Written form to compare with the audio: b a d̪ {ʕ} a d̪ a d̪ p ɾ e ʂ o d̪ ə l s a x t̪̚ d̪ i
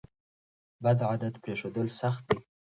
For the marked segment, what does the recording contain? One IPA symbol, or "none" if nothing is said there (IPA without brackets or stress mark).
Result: ʕ